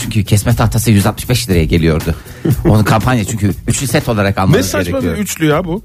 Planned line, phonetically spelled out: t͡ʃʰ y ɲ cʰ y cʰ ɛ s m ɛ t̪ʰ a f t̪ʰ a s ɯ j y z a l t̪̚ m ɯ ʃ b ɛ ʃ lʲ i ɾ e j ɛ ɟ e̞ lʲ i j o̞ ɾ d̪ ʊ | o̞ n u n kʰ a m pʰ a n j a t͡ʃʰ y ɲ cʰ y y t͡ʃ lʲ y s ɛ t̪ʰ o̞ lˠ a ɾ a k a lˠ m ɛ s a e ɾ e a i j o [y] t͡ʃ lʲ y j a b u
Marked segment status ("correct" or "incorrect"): correct